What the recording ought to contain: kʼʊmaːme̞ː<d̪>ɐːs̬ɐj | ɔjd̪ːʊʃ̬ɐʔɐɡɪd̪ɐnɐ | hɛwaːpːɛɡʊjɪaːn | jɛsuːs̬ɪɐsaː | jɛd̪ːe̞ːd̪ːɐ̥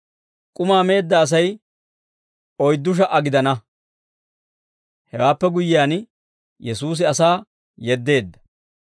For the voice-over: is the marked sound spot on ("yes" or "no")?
no